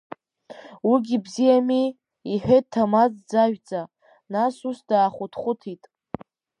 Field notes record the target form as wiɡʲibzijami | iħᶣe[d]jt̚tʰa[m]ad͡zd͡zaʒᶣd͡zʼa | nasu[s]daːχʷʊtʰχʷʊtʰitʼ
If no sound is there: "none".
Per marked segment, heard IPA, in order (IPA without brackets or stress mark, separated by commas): none, m, s